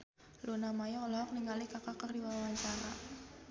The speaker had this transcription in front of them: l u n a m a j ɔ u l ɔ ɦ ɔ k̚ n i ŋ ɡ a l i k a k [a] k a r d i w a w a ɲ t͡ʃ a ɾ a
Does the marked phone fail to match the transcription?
no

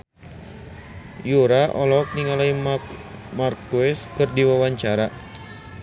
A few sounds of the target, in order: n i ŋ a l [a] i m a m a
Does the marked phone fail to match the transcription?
no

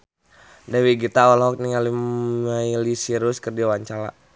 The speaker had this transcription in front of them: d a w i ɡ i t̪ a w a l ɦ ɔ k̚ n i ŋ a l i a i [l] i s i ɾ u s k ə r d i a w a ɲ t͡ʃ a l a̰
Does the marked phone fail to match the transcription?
no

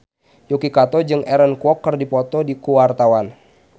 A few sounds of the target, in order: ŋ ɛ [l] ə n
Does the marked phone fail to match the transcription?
yes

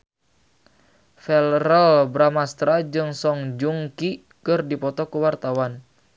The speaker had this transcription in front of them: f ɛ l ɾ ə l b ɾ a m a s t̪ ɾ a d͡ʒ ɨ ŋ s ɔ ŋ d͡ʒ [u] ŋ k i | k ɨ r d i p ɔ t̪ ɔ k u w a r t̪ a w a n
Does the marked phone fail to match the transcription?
no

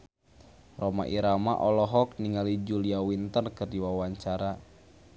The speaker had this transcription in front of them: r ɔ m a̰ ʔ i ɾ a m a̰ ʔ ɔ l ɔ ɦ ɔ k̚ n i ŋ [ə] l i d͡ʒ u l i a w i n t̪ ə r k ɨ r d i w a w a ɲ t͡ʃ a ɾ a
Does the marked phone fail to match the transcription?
yes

